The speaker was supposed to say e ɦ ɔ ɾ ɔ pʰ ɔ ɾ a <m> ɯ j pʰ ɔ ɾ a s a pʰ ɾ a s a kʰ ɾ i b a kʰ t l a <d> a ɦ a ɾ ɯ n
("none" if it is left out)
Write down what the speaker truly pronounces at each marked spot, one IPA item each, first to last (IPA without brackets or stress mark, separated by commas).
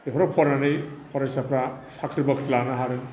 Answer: n, n